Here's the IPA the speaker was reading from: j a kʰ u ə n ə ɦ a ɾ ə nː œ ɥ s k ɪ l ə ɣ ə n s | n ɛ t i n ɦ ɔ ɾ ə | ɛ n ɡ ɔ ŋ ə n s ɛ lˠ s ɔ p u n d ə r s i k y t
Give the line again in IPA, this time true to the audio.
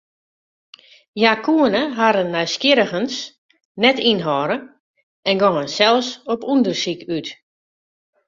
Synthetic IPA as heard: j a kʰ u ə n ə ɦ a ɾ ə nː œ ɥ s k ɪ ɾ ə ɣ ə n s | n ɛ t i n ɦ ɔ ɾ ə | ɛ n ɡ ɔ ŋ ə n s ɛ lˠ s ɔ p u n d ə r s i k y t